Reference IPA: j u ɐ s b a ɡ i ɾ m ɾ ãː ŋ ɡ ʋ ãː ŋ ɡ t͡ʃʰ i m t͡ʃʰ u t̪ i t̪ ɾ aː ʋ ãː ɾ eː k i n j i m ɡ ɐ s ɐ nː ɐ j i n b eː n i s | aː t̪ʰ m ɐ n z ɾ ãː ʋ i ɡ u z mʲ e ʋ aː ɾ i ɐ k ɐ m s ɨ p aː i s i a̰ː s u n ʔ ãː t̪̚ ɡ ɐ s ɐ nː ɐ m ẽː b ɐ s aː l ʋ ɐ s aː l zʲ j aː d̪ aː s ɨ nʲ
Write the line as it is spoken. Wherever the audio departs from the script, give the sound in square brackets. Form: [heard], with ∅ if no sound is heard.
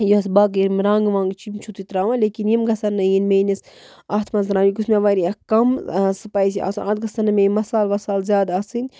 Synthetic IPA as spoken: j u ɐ s b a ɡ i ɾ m ɾ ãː ŋ ɡ ʋ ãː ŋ ɡ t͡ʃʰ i m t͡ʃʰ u t̪ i t̪ ɾ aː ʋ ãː [l] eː k i n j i m ɡ ɐ s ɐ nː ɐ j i n [m] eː n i s | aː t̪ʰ m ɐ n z ɾ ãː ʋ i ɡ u [s] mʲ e ʋ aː ɾ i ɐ k ɐ m s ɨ p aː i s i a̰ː s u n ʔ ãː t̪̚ ɡ ɐ s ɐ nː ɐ m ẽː [m] ɐ s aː l ʋ ɐ s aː l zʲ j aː d̪ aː s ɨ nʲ